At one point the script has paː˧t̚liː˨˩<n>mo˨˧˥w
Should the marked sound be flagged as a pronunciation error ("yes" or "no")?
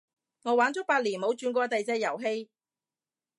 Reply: no